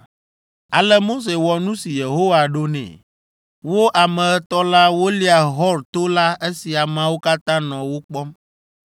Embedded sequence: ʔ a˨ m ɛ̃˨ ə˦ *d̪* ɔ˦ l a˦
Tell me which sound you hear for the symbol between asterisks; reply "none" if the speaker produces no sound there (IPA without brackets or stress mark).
t̪